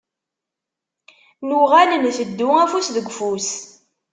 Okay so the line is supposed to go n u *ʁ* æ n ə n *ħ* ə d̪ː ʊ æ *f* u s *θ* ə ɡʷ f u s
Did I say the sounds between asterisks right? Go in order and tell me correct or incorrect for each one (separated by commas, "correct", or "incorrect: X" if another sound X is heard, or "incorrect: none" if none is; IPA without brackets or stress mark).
correct, incorrect: θ, correct, incorrect: ð